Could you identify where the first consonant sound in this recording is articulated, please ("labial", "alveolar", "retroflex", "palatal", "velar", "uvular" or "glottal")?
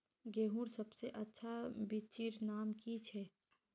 velar